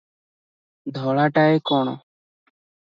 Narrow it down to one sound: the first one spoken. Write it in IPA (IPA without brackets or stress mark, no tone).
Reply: d̪ʱ